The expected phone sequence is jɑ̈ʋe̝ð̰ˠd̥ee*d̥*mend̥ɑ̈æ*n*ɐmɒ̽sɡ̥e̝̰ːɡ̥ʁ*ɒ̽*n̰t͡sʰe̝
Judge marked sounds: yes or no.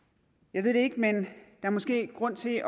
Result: no, no, no

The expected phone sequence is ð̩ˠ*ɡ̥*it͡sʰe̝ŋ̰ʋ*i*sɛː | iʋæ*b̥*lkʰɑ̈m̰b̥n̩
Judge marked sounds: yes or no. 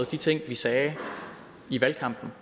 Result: no, yes, no

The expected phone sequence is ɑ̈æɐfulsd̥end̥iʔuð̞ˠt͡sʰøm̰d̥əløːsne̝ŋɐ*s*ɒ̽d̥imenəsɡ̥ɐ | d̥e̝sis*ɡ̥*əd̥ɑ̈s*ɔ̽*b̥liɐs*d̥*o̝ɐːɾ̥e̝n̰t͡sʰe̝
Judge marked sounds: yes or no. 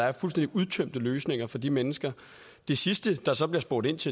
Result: no, no, no, no

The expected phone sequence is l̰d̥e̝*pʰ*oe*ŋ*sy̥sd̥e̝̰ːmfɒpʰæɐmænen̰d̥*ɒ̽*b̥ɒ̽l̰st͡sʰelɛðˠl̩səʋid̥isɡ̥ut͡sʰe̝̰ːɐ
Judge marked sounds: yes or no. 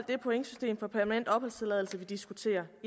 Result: yes, yes, yes

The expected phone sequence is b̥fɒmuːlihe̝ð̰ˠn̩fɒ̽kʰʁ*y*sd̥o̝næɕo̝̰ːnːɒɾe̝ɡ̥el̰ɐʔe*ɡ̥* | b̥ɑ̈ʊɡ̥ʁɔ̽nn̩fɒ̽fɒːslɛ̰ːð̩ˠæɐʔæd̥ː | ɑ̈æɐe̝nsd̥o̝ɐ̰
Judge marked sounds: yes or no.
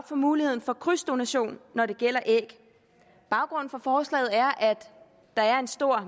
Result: yes, yes

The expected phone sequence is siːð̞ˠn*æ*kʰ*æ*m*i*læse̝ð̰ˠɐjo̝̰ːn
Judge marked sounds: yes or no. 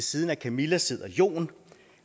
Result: yes, yes, yes

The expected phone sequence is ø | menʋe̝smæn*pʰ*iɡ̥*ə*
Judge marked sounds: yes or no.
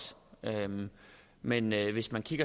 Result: no, no

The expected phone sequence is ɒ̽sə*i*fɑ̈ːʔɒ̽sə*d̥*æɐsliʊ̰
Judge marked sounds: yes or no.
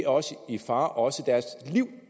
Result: yes, yes

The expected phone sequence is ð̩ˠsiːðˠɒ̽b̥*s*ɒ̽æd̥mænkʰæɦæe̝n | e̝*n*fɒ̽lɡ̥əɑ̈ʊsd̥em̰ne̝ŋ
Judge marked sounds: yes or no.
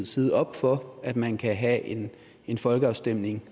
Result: no, yes

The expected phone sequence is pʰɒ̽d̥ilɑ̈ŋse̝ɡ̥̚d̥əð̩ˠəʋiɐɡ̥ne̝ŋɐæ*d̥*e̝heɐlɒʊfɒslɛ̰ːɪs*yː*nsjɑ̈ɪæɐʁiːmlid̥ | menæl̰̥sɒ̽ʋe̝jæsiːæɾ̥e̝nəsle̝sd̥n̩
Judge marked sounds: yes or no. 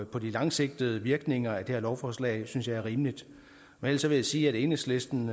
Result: yes, no

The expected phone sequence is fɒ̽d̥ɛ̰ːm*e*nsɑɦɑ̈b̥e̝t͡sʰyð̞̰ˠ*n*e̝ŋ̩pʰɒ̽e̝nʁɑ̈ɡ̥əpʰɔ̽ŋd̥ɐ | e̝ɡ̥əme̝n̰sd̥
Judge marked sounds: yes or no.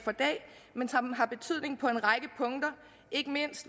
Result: yes, yes

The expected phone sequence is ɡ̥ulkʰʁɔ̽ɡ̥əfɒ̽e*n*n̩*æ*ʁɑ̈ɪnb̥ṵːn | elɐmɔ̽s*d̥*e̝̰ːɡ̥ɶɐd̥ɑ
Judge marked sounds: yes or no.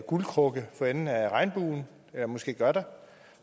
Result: yes, yes, no

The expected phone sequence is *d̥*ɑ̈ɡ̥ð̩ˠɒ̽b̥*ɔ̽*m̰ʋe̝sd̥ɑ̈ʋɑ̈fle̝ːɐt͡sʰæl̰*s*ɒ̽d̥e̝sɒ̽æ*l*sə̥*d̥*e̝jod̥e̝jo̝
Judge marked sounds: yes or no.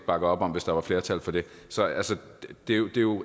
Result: no, no, no, yes, yes

